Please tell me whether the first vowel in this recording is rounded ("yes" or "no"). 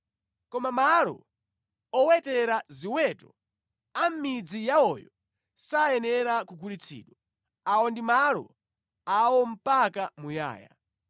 yes